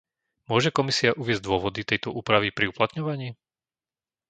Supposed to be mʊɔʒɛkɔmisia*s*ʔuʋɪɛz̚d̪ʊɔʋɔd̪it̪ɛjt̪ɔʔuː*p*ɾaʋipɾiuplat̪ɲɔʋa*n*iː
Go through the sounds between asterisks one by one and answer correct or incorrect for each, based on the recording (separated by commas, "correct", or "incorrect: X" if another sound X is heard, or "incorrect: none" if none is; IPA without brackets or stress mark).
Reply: incorrect: none, correct, incorrect: ɲ